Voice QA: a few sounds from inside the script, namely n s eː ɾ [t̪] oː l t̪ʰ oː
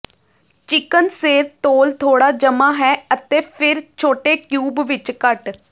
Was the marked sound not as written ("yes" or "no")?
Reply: no